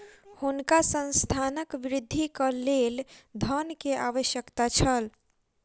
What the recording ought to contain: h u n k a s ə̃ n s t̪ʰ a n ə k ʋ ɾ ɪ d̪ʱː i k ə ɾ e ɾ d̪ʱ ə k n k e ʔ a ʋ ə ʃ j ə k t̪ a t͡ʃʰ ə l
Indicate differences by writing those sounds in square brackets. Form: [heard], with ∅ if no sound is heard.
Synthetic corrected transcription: h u n k a s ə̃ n s t̪ʰ a n ə k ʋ ɾ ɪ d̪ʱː i k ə [l] e [l] d̪ʱ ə [∅] n k e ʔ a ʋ ə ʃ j ə k t̪ a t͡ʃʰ ə l